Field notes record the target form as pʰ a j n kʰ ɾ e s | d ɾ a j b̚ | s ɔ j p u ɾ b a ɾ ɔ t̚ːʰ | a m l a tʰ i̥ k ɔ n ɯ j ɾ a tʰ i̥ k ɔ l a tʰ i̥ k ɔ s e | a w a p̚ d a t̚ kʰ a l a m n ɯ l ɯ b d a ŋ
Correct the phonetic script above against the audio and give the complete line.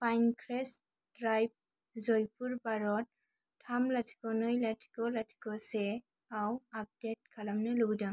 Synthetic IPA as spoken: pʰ a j n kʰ ɾ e s | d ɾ a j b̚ | z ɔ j p u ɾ b a ɾ ɔ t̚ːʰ | a m l a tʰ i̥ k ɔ n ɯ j l a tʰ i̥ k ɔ l a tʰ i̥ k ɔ s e | a w a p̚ d e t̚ kʰ a l a m n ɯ l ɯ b d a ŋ